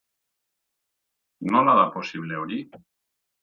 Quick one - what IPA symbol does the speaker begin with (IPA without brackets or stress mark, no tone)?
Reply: n